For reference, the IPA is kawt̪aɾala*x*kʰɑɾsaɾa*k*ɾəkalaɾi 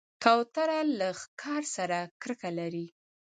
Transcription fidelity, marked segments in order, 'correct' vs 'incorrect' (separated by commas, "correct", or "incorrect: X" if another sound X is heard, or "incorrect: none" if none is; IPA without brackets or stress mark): correct, correct